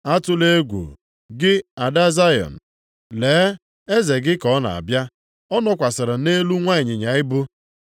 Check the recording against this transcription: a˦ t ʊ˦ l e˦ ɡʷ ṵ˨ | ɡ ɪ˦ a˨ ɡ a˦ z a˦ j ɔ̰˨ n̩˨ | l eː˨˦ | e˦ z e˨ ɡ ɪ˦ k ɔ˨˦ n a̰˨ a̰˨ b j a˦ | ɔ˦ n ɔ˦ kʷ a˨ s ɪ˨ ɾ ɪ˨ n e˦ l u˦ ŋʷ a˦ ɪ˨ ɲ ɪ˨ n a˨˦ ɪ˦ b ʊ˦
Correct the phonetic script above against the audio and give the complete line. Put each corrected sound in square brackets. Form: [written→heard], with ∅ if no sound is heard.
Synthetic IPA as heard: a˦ t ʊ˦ l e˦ ɡʷ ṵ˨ | ɡ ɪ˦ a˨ [ɡ→d] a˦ z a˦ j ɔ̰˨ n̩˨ | l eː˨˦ | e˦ z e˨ ɡ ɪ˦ k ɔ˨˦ n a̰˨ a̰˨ b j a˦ | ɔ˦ n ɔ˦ kʷ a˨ s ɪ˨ ɾ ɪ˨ n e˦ l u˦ ŋʷ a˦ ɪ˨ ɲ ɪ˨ [n→ɲ] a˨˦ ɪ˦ b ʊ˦